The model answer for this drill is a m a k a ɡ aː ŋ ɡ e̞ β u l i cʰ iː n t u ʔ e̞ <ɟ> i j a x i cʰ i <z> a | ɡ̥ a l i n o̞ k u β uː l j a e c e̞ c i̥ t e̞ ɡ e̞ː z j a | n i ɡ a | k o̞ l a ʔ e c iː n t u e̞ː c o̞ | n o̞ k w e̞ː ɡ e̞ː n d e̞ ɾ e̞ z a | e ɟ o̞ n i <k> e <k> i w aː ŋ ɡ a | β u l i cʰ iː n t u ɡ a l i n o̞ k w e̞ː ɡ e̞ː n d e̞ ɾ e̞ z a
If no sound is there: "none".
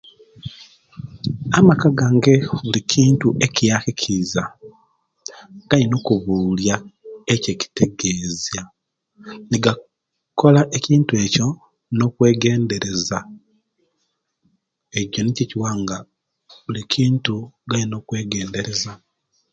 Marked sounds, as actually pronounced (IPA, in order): c, z, c, c

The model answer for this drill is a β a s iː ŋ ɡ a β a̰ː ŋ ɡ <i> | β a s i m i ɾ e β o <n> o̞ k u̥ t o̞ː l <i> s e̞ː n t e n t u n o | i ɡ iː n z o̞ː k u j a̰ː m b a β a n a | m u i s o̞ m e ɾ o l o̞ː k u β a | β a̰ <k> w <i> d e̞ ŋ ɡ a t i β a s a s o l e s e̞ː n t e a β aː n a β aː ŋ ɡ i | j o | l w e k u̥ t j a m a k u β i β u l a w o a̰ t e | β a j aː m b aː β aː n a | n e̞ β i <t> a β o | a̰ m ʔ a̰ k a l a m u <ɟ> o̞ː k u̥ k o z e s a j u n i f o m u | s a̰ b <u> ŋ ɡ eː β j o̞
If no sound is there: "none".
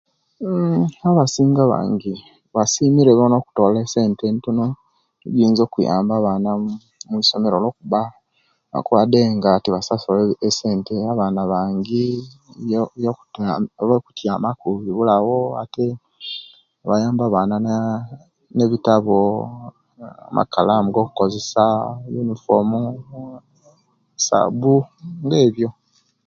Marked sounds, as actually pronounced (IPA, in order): i, n, e, k, a, t, ɡ, u

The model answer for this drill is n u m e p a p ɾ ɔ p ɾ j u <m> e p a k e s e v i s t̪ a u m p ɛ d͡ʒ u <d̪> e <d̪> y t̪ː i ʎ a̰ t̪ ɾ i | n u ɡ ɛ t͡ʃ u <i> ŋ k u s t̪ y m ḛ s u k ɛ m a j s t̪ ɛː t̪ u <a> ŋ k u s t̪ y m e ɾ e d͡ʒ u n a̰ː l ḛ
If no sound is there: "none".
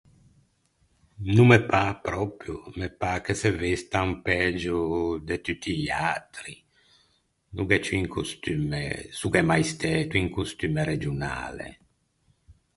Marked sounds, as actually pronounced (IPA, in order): m, d̪, t̪, i, i

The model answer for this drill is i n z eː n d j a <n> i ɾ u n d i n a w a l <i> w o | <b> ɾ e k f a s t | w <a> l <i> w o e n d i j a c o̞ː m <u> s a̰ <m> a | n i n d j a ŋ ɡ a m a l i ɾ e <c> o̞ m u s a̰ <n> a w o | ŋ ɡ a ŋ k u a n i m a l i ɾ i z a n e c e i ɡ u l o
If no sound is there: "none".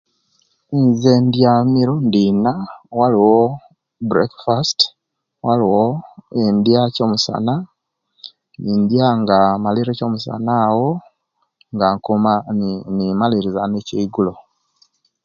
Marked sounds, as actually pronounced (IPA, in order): m, i, b, a, i, u, n, c, n

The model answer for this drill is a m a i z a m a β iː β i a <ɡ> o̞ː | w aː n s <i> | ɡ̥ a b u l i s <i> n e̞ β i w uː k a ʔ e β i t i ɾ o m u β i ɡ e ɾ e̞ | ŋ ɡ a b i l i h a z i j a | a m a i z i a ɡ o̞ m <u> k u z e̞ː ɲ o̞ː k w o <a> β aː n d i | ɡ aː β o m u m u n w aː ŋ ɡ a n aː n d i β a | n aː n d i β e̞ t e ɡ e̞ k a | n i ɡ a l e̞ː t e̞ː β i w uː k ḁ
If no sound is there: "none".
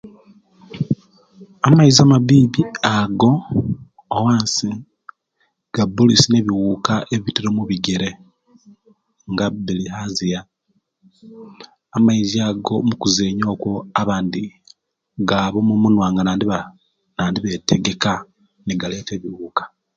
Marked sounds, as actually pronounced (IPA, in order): ɡ, i, i, u, a

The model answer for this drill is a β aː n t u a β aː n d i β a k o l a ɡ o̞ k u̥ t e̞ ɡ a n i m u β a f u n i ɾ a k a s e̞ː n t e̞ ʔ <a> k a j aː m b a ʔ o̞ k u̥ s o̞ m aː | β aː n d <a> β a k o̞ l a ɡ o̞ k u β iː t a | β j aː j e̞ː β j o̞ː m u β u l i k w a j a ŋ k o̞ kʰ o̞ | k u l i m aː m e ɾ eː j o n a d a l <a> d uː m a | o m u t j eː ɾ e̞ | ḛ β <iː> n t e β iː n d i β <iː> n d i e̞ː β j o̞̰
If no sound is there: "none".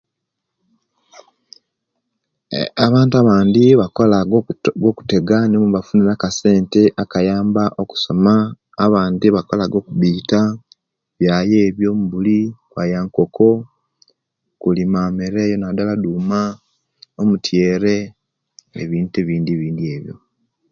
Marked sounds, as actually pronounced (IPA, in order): a, i, a, iː, iː

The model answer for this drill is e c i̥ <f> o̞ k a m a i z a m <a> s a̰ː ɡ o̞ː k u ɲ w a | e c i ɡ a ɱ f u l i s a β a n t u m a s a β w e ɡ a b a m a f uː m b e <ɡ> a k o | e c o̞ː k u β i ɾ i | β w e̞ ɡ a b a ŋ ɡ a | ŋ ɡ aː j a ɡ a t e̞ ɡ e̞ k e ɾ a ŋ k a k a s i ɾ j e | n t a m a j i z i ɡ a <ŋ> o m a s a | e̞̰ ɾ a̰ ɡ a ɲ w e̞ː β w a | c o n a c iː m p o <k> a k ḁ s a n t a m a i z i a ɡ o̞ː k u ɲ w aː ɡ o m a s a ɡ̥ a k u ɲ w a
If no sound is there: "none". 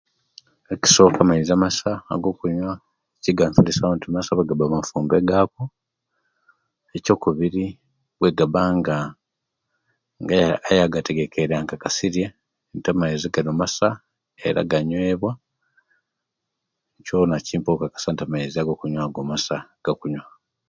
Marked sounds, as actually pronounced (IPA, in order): s, a, ɡ, n, k

